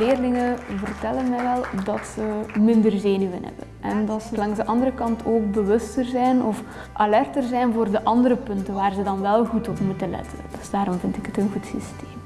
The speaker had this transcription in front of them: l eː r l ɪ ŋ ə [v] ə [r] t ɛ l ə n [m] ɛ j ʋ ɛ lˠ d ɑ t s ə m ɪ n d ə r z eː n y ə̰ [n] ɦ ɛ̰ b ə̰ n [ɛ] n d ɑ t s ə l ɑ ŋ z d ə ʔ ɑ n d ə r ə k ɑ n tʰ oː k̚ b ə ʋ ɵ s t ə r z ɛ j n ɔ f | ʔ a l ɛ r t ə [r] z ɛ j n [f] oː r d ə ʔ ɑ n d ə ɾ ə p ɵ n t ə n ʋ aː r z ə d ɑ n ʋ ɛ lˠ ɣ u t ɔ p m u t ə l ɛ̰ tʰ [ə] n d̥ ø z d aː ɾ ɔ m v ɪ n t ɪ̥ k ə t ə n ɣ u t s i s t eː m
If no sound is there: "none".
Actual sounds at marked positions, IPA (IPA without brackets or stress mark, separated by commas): v, r, m, n, ɛ, r, v, ə